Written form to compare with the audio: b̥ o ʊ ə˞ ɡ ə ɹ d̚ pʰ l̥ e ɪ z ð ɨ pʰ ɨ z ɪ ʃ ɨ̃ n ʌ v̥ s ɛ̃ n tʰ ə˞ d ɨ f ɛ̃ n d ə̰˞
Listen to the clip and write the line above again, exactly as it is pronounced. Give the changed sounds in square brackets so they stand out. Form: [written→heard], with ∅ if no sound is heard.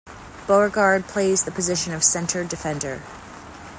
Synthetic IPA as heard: b̥ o ʊ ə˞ ɡ [ə→ɑ] ɹ d̚ pʰ l̥ e ɪ z ð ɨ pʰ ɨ z ɪ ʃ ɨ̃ n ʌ v̥ s ɛ̃ n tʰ ə˞ d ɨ f ɛ̃ n d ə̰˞